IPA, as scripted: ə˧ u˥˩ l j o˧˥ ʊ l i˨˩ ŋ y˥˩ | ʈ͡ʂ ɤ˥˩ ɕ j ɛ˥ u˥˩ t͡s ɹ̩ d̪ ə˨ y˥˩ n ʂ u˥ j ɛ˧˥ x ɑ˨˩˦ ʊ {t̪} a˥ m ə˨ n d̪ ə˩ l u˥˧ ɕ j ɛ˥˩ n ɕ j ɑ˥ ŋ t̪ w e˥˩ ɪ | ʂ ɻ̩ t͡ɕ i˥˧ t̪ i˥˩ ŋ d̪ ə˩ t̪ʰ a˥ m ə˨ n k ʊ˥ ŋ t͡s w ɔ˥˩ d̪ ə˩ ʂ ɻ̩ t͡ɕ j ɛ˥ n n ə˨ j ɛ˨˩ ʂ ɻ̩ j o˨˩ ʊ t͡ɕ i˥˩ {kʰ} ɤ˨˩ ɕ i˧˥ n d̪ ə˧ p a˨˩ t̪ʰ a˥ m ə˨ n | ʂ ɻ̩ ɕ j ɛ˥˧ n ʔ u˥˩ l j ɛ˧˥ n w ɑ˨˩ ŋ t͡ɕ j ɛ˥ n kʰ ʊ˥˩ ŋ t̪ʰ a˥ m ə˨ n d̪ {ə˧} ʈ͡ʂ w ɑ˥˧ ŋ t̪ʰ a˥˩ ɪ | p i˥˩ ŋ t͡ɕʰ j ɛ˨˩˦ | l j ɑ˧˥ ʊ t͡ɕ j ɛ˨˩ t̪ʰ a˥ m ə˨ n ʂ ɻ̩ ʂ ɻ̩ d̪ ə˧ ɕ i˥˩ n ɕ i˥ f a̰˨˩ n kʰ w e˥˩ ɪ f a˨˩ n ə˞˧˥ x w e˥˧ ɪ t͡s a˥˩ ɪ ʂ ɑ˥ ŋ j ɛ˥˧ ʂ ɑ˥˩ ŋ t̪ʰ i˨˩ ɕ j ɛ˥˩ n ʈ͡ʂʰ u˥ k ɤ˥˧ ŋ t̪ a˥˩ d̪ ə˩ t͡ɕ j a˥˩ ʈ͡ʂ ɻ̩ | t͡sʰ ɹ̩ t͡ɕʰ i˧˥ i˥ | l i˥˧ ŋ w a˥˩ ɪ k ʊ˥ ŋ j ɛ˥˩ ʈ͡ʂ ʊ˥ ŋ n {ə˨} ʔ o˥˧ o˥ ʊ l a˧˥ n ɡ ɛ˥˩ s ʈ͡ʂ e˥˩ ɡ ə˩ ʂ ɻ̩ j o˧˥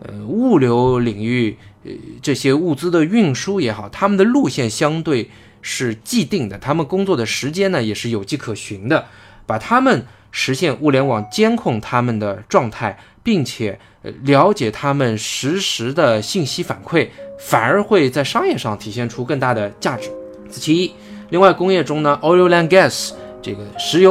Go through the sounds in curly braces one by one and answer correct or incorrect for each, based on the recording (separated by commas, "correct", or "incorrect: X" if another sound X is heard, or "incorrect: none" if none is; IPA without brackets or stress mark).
incorrect: t̪ʰ, correct, incorrect: ə˩, correct